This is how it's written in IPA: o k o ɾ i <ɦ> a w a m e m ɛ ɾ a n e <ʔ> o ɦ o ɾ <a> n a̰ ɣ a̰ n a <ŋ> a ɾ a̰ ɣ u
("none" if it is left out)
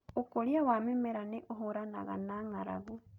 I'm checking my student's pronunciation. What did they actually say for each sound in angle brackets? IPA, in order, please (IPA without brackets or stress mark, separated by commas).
none, ʔ, a, ŋ